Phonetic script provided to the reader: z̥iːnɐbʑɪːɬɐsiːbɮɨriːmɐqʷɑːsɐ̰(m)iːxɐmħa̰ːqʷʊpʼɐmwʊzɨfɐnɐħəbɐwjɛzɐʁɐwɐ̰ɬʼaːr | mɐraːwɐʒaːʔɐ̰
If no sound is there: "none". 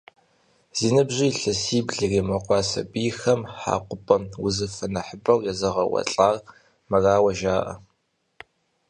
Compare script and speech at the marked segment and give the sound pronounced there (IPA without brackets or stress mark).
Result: b